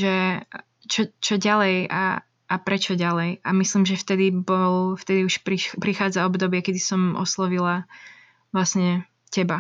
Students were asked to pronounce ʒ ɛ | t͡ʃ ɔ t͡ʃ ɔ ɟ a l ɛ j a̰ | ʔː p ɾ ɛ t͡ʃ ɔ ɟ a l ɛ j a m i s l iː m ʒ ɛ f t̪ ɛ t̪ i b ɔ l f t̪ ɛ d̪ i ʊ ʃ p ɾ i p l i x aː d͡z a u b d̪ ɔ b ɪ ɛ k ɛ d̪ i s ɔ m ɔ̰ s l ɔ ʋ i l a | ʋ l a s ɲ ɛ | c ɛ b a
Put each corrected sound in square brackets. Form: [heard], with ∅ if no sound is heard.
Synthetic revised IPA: ʒ ɛ | t͡ʃ ɔ t͡ʃ ɔ ɟ a l ɛ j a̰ | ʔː p ɾ ɛ t͡ʃ ɔ ɟ a l ɛ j a m i s l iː m ʒ ɛ f t̪ ɛ [d̪] i b ɔ l f t̪ ɛ d̪ i [u] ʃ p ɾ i p [ɾ] i x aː d͡z a [ɔ] b d̪ ɔ b ɪ ɛ k ɛ d̪ i s ɔ m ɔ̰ s l ɔ ʋ i l a | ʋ l a s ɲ ɛ | c ɛ b a